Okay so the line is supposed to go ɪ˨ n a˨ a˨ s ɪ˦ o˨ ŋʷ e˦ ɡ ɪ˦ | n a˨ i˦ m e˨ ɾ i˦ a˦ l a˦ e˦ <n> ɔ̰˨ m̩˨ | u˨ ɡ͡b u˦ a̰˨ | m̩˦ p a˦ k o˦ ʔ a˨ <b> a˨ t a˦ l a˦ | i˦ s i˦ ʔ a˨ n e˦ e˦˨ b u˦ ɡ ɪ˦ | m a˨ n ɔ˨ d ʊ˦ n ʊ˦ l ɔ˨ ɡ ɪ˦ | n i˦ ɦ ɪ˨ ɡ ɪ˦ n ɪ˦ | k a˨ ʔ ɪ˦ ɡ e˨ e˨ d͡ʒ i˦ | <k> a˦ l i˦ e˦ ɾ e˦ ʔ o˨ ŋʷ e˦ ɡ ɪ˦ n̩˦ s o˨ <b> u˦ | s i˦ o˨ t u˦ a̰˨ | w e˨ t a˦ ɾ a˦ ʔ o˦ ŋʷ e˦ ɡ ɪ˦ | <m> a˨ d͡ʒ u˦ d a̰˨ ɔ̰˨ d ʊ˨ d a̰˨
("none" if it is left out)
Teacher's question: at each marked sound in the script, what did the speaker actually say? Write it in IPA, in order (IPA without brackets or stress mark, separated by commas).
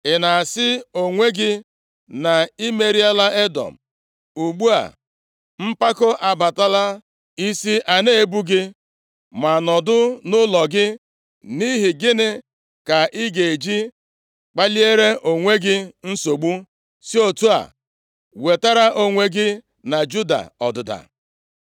d, b, k͡p, ɡ͡b, n